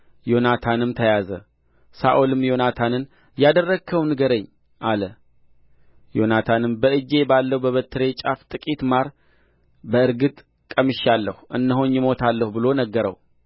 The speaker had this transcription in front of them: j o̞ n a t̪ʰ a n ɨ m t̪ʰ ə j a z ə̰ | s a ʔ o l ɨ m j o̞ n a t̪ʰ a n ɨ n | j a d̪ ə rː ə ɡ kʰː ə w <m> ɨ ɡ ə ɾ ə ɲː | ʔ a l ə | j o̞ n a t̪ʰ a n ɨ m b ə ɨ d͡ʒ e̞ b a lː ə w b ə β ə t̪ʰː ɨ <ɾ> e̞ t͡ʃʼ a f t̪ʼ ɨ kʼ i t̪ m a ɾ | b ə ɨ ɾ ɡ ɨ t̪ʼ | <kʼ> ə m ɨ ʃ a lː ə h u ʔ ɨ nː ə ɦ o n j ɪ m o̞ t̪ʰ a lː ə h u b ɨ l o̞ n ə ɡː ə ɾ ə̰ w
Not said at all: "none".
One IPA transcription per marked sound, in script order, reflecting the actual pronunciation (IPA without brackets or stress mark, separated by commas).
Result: n, ɾ, kʼ